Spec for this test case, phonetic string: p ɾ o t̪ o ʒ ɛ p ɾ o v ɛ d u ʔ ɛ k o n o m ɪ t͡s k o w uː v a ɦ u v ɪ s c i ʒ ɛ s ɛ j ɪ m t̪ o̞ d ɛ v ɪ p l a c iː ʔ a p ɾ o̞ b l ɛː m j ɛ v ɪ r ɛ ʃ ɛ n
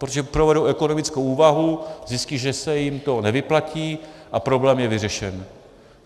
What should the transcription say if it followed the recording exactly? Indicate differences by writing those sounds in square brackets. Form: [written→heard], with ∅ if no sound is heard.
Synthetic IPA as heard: p ɾ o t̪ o ʒ ɛ p ɾ o v ɛ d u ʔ ɛ k o n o m ɪ t͡s k o w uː v a ɦ u [v→z] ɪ s c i ʒ ɛ s ɛ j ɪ m t̪ o̞ [d→n] ɛ v ɪ p l a c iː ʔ a p ɾ o̞ b l ɛː m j ɛ v ɪ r ɛ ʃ ɛ n